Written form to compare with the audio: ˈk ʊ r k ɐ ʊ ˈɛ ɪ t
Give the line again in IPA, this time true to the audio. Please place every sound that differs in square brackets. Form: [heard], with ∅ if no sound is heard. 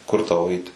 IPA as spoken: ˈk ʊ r [t] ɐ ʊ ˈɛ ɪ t